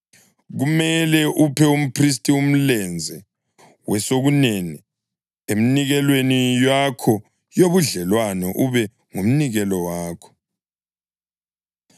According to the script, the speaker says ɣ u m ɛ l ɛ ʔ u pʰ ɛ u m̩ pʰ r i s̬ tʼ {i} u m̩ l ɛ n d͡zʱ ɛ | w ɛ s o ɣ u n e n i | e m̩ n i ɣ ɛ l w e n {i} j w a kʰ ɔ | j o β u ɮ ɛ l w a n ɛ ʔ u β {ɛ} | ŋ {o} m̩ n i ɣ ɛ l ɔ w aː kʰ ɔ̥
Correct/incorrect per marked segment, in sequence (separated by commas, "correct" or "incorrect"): correct, correct, correct, incorrect